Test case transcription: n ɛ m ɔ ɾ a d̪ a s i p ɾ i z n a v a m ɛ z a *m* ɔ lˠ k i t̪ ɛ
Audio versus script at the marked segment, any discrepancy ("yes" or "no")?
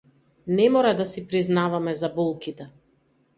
yes